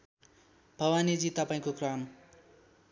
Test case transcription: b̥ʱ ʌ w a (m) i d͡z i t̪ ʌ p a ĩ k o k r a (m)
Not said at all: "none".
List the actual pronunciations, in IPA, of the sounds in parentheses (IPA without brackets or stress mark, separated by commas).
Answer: n, m